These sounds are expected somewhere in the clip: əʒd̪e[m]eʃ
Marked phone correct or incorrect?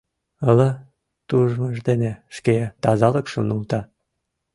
incorrect